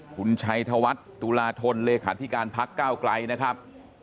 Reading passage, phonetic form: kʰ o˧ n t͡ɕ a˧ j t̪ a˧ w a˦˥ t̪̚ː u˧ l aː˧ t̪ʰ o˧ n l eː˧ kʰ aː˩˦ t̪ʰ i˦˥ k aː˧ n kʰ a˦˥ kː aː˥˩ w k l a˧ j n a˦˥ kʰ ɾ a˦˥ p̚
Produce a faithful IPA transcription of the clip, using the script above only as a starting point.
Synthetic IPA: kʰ u˧ n t͡ɕʰ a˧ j t̪ʰ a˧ w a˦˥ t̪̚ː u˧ l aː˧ t̪ʰ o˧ n l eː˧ kʰ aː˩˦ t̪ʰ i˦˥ k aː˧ n pʰ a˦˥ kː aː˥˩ w k l a˧ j n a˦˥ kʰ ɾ a˦˥ p̚

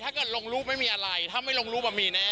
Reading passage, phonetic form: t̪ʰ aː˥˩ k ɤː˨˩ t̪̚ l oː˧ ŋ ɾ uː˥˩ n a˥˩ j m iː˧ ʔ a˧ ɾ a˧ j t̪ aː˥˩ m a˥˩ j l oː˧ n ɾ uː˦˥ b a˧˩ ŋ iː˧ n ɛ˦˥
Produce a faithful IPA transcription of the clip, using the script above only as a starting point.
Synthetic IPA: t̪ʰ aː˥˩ k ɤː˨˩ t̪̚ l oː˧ ŋ ɾ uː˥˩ m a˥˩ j m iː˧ ʔ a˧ ɾ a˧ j t̪ʰ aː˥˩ m a˥˩ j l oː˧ ŋ ɾ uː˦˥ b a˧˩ m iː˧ n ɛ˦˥

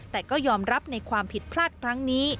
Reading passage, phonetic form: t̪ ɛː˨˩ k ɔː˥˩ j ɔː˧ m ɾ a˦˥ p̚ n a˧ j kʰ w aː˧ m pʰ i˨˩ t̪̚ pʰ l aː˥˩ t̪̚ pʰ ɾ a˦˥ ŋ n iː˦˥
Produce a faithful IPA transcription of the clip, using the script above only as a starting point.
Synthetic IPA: t̪ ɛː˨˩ k ɔː˥˩ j ɔː˧ m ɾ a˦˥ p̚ n a˧ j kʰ w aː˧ m pʰ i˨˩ t̪̚ pʰ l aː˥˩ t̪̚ kʰ ɾ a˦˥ ŋ n iː˦˥

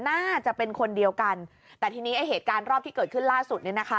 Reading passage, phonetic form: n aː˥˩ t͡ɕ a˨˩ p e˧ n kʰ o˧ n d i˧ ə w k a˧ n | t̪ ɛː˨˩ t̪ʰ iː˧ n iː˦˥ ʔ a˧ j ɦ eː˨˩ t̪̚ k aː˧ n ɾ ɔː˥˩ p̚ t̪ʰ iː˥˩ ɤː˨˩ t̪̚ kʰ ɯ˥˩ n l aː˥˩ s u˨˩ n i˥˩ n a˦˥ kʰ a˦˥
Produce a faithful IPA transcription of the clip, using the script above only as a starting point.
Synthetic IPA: n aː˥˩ t͡ɕ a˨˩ p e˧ n kʰ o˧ n d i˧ ə w k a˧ n | t̪ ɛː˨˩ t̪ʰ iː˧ n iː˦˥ ʔ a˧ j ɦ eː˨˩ t̪̚ k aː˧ n ɾ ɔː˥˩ p̚ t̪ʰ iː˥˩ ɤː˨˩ t̪̚ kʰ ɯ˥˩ n l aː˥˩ s u˨˩ n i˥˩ n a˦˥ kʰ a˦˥

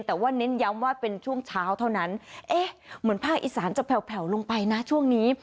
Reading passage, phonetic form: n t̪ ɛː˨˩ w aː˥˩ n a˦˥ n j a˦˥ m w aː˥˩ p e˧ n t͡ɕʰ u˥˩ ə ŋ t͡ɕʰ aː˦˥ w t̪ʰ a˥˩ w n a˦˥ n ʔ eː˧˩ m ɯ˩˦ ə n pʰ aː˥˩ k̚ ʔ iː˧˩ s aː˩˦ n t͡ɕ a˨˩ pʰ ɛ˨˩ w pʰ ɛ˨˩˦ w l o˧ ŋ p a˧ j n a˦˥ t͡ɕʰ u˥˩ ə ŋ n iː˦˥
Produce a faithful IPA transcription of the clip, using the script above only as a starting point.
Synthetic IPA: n t̪ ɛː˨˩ w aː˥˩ n e˦˥ n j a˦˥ m w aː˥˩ p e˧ n t͡ɕʰ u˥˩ ə ŋ t͡ɕʰ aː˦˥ w t̪ʰ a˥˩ w n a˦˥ n ʔ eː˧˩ m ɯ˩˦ ə n pʰ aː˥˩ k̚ ʔ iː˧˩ s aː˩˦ n t͡ɕ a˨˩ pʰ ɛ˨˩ w pʰ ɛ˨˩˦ w l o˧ ŋ p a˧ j n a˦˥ t͡ɕʰ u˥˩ ə ŋ n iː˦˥

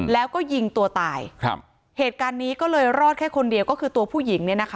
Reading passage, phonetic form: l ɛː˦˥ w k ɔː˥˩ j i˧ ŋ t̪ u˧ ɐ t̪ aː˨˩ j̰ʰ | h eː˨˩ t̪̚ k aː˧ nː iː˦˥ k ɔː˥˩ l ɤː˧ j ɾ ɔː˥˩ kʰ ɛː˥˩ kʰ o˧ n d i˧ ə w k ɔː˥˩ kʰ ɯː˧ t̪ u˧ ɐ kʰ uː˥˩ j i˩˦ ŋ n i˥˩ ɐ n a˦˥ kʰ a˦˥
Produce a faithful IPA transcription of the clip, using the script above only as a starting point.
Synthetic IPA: l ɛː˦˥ w k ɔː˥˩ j i˧ ŋ t̪ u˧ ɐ t̪ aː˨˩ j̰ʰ | h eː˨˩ t̪̚ k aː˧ nː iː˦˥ k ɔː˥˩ l ɤː˧ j ɾ ɔː˥˩ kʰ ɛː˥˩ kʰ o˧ n d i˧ ə w k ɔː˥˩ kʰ ɯː˧ t̪ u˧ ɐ pʰ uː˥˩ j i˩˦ ŋ n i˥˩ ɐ n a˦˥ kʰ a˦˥

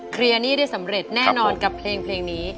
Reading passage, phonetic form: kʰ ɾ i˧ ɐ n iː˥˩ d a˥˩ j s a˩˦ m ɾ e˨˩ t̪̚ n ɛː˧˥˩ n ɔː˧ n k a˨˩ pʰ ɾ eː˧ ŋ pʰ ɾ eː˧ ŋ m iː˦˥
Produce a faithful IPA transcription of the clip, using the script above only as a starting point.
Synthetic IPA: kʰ ɾ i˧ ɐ n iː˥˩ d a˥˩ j s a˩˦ m ɾ e˨˩ t̪̚ n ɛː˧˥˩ n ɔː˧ n k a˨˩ pʰ l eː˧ ŋ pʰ l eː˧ ŋ n iː˦˥

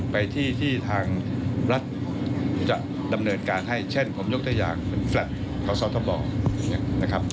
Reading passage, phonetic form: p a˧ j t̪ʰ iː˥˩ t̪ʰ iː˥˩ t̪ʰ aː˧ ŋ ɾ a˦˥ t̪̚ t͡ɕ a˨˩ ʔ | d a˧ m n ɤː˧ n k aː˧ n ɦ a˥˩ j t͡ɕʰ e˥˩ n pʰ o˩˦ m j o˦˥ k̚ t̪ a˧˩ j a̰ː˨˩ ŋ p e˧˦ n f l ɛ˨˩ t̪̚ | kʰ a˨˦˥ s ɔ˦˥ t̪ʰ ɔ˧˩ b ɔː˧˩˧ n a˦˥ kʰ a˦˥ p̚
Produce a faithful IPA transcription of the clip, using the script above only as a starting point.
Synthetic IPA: p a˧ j t̪ʰ iː˥˩ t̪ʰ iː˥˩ t̪ʰ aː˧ ŋ ɾ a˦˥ t̪̚ t͡ɕ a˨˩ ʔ | d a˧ m n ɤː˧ n k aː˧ n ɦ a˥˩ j t͡ɕʰ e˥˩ n pʰ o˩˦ m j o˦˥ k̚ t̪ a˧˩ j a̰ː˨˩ ŋ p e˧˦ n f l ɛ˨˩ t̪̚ | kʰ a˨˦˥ s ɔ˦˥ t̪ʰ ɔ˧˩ b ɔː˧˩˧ n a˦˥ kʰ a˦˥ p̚

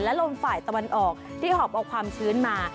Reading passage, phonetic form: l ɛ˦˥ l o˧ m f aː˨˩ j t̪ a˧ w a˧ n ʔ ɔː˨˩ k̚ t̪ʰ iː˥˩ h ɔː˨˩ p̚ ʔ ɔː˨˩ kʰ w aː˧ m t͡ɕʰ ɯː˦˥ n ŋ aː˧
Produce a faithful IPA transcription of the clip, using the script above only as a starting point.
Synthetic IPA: l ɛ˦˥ l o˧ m f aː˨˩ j t̪ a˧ w a˧ n ʔ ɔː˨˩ k̚ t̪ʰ iː˥˩ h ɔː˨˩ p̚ ʔ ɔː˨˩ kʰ w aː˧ m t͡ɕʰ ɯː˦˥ n m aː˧

